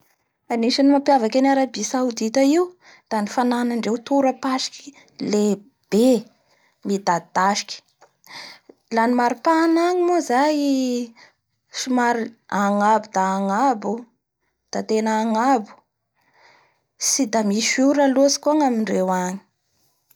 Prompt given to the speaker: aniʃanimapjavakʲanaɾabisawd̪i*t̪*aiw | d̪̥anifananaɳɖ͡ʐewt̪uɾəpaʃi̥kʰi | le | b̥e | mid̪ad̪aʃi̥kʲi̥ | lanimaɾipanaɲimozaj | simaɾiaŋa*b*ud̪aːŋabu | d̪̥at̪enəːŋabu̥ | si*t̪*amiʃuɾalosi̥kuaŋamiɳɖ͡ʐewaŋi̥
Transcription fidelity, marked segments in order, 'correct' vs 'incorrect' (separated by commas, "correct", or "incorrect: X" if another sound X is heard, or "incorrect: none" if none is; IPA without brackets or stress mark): correct, correct, incorrect: d̪